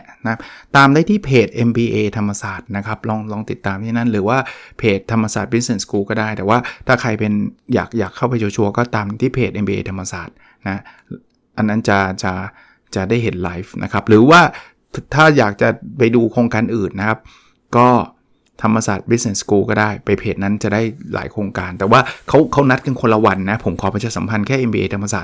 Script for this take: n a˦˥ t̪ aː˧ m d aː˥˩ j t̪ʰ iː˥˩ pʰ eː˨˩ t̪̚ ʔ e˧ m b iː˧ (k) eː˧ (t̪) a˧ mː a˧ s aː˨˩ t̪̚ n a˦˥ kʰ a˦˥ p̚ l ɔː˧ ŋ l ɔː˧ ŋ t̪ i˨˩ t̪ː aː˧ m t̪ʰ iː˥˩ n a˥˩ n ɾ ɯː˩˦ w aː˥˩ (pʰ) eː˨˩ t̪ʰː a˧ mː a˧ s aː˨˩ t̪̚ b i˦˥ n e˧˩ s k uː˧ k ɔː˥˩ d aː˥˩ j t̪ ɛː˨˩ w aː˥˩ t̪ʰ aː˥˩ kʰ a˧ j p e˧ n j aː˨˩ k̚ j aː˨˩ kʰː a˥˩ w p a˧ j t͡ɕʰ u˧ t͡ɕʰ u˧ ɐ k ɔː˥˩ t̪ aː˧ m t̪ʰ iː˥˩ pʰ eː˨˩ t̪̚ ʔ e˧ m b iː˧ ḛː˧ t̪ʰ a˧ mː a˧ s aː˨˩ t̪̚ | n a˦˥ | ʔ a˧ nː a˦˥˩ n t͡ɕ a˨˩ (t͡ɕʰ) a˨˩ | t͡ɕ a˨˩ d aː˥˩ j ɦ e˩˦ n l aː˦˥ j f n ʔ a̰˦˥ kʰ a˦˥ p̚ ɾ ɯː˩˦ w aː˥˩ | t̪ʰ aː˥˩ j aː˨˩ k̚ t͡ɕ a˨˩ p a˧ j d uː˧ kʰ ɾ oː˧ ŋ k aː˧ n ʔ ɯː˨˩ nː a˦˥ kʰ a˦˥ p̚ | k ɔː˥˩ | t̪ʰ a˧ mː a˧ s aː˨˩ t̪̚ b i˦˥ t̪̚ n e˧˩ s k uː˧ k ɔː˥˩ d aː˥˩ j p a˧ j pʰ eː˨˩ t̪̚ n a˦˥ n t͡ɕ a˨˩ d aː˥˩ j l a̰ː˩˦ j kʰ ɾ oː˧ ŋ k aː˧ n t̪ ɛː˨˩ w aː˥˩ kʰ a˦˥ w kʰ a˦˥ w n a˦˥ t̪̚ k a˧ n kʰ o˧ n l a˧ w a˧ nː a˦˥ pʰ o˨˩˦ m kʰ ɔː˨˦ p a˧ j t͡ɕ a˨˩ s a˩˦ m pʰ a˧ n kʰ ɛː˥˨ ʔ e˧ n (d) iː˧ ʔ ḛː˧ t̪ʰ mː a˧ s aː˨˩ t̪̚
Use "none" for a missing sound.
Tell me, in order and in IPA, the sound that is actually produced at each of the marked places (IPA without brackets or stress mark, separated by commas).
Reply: ʔ, t̪ʰ, pʰ, t͡ɕ, b